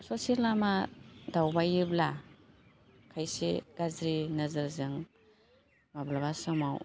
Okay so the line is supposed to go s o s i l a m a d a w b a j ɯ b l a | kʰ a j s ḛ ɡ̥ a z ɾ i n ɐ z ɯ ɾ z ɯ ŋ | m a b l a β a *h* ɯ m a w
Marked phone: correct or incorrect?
incorrect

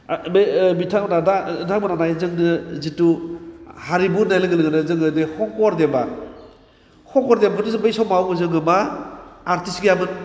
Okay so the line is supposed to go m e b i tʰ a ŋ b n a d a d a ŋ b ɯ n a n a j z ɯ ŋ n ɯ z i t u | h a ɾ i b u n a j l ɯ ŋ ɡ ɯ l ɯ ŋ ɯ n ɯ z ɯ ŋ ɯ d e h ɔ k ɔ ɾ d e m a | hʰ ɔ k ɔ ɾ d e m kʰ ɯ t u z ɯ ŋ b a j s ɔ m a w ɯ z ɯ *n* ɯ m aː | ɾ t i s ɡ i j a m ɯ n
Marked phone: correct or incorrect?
incorrect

